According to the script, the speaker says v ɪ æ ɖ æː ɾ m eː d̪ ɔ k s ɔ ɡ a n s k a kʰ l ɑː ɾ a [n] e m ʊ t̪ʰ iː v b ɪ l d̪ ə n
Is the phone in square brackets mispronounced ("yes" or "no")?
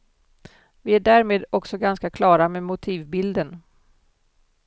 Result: yes